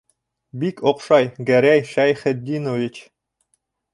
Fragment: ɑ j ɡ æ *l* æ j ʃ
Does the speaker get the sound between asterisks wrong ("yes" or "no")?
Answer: yes